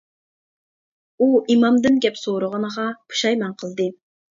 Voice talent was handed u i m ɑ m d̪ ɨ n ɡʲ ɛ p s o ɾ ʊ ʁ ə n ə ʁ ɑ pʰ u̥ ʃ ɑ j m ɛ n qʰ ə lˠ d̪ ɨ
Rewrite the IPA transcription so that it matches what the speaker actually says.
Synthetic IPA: u i m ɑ m d̪ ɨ n ɡʲ ɛ p s o ɾ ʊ ʁ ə n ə ʁ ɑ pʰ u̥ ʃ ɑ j m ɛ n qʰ ə lˠ d̪ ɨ